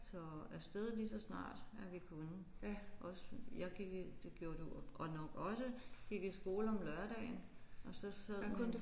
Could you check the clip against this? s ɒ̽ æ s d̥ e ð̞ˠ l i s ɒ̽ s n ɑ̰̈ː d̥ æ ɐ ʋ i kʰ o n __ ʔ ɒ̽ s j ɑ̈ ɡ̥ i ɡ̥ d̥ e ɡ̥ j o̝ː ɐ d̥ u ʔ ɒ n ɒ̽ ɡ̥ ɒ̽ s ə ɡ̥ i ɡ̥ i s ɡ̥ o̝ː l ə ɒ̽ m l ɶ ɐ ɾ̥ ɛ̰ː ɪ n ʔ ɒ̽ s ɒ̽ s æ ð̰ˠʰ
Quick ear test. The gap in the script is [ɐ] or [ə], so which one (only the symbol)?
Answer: ə